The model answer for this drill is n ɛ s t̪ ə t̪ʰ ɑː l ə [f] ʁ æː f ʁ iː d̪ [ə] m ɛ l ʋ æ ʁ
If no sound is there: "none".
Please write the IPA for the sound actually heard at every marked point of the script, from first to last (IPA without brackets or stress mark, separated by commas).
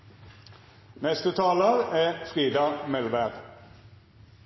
none, ɑ